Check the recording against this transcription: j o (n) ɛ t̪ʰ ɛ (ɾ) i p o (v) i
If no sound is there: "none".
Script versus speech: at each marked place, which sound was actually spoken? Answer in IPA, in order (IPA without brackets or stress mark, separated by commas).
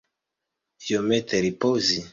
m, ɾ, z